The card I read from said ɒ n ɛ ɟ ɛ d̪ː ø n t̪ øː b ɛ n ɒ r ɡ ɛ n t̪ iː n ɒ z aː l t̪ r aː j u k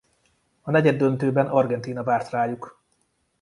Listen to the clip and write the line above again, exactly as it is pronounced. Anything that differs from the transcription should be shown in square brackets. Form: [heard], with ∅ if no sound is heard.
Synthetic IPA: ɒ n ɛ ɟ ɛ d̪ː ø n t̪ øː b ɛ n ɒ r ɡ ɛ n t̪ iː n ɒ [v] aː [r] t̪ r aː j u k